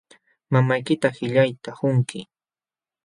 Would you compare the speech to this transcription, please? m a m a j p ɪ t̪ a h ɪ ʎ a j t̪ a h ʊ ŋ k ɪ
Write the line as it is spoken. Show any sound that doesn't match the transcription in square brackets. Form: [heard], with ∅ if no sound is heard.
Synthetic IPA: m a m a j [k] ɪ t̪ a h ɪ ʎ a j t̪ a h ʊ ŋ k ɪ